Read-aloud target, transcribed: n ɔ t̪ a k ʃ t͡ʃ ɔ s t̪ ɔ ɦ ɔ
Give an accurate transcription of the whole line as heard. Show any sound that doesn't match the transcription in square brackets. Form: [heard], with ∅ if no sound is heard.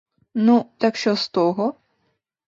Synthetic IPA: n [u] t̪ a k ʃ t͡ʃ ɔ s t̪ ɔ ɦ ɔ